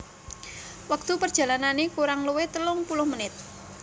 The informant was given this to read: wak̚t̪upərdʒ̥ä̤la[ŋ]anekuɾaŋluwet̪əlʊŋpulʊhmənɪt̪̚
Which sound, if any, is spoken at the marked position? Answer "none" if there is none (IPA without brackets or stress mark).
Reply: n